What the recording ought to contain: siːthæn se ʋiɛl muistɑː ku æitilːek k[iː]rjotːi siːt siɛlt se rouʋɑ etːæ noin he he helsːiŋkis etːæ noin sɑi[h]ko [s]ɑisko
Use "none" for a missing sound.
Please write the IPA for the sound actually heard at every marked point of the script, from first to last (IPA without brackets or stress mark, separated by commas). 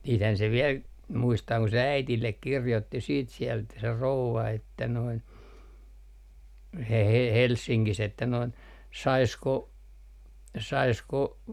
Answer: i, s, s